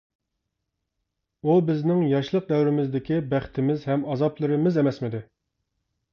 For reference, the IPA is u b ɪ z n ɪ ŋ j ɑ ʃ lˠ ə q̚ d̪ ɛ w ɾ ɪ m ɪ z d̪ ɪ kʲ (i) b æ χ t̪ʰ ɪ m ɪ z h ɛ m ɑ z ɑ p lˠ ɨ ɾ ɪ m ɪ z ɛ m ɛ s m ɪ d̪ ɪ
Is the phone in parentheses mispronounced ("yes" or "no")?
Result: no